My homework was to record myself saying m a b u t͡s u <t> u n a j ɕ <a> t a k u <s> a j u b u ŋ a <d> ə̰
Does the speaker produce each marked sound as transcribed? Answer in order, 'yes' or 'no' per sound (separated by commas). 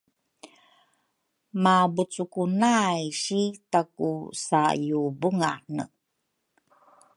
no, no, yes, no